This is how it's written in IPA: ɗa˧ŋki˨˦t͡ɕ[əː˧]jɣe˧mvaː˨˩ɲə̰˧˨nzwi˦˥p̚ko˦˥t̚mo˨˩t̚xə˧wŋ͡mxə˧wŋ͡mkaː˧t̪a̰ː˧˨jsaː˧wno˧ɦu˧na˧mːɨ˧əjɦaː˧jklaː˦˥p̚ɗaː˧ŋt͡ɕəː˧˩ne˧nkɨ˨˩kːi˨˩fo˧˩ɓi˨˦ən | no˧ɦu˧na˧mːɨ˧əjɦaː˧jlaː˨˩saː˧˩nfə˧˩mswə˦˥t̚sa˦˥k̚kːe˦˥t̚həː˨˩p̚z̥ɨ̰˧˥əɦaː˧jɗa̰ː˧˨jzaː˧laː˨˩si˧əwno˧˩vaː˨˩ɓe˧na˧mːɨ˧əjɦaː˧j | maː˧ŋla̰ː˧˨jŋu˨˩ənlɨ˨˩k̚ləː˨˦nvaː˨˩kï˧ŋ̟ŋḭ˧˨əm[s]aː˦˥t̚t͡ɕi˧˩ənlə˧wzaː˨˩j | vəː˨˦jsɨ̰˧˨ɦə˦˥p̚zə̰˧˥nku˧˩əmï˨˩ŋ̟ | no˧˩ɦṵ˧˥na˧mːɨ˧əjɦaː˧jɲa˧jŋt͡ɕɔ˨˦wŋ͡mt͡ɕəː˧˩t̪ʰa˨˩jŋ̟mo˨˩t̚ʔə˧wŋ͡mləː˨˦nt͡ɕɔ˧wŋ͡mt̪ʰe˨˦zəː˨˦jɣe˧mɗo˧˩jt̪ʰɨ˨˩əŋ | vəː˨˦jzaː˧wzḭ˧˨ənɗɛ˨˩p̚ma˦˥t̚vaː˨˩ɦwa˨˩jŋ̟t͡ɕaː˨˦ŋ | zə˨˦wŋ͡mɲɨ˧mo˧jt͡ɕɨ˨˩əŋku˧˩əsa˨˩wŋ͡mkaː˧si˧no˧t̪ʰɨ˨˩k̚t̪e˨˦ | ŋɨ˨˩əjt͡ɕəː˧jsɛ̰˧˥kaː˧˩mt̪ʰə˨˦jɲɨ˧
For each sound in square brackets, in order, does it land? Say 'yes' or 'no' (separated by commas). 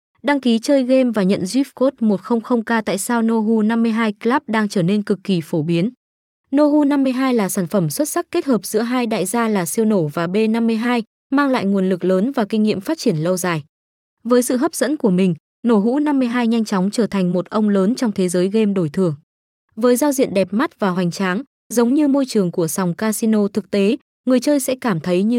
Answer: yes, no